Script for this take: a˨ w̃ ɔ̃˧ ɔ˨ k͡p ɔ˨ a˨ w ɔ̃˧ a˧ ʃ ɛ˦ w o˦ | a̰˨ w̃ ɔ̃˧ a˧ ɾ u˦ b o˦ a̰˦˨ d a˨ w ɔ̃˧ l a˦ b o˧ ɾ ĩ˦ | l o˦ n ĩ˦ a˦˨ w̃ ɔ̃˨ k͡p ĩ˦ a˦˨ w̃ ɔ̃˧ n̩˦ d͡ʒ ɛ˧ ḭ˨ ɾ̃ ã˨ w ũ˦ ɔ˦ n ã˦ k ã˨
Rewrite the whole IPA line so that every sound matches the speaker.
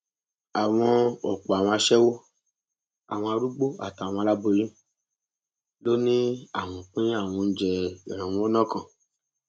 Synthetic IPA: a˨ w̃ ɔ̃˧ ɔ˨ k͡p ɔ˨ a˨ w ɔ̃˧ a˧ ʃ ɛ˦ w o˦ | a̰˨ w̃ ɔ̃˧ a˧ ɾ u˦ ɡ͡b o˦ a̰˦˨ t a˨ w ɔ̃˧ l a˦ b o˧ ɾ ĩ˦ | l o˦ n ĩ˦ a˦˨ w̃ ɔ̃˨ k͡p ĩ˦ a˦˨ w̃ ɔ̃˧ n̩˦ d͡ʒ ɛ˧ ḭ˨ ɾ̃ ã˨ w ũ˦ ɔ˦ n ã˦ k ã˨